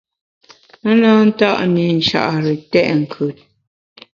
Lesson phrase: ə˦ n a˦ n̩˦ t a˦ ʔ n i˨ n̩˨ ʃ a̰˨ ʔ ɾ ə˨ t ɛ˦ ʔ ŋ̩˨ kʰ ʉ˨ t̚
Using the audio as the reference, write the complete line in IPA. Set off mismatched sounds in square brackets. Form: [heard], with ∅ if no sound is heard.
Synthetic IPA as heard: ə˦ n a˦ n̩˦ t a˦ ʔ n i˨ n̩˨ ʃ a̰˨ ʔ ɾ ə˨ t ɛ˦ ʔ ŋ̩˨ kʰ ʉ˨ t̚

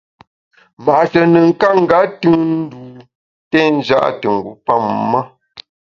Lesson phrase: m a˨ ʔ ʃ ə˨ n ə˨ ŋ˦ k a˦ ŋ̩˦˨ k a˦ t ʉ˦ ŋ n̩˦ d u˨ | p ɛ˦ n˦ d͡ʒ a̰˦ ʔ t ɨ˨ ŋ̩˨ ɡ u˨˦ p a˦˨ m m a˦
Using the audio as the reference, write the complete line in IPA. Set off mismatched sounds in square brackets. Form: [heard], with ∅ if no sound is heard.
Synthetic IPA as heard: m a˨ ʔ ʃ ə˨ n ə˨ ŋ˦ k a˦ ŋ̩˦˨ [ɡ] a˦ t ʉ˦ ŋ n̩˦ d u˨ | [t] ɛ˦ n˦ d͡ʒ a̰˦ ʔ t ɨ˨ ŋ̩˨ ɡ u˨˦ p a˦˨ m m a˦

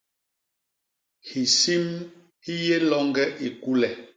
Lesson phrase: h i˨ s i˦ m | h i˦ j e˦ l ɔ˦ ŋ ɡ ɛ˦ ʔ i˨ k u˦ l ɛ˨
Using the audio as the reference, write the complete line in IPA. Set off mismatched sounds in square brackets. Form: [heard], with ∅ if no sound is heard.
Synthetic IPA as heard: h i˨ s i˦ m | h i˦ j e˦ l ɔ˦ ŋ ɡ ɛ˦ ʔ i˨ k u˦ l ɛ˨

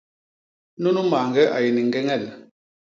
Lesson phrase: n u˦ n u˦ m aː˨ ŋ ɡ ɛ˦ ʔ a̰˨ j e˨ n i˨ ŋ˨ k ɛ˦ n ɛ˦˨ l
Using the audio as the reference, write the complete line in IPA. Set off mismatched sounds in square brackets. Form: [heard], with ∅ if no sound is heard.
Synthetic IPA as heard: n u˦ n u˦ m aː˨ ŋ ɡ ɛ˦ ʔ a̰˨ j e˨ n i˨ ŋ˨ [ɡ] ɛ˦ [ŋ] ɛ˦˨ l

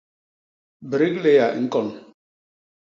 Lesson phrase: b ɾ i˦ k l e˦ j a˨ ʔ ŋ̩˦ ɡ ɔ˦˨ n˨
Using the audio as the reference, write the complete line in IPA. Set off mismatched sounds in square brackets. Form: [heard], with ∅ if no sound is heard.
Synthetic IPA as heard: b ɾ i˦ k l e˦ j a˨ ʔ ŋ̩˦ [k] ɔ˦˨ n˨

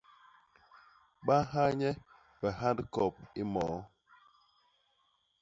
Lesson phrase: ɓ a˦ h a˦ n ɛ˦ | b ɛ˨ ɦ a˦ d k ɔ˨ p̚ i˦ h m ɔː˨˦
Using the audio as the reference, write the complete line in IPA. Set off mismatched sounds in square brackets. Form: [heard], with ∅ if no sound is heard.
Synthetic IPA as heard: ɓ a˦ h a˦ [ɲ] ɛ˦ | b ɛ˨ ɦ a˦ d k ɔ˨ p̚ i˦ [∅] m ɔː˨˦

